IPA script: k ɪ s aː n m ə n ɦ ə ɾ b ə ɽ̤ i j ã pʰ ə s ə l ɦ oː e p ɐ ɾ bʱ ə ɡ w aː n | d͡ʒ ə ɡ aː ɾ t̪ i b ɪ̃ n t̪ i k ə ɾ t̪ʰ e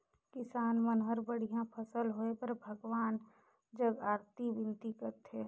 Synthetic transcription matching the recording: k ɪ s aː n m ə n ɦ ə ɾ b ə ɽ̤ i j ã pʰ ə s ə l ɦ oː e p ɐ ɾ bʱ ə ɡ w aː n | d͡ʒ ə ɡ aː ɾ t̪ i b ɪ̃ n t̪ i k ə ɾ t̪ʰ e